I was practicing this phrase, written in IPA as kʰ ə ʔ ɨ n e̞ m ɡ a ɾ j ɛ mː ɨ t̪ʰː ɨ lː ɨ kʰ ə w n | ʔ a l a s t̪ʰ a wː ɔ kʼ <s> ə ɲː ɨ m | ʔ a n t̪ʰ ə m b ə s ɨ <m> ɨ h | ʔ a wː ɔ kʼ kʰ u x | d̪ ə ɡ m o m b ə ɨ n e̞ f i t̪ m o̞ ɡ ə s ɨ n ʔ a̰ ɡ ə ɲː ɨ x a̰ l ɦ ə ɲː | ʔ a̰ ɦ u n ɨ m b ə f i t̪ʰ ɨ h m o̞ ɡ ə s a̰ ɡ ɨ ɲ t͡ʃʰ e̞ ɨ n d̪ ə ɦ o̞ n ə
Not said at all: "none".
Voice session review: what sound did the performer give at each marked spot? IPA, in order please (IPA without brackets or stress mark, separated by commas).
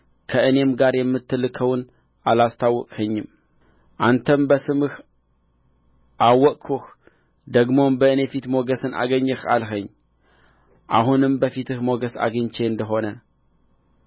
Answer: h, m